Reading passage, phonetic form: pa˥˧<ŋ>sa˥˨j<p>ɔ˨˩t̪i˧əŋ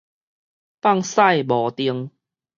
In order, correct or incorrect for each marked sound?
correct, incorrect: b

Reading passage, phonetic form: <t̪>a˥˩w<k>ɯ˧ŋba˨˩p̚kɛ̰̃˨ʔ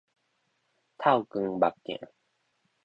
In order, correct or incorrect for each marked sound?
incorrect: t̪ʰ, correct

